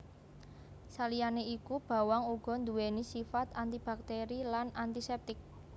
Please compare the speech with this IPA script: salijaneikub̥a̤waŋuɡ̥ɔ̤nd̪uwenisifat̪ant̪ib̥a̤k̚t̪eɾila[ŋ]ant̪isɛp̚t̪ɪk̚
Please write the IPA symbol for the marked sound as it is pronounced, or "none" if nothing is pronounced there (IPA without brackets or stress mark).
n